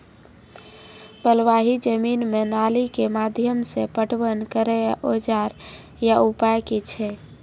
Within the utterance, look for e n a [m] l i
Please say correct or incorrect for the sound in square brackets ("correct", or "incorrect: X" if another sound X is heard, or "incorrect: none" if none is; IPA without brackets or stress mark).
incorrect: none